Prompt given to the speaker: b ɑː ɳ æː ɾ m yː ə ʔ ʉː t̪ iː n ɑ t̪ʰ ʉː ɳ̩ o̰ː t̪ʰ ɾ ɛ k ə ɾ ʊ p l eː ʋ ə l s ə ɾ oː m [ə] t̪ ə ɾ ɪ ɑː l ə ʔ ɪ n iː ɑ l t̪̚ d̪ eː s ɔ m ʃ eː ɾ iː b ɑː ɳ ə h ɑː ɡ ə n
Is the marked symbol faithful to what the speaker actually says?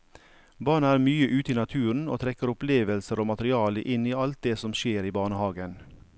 no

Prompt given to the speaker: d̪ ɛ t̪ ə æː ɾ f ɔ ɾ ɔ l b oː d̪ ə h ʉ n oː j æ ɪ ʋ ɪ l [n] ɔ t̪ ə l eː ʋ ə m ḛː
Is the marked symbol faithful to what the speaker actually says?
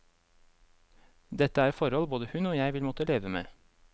no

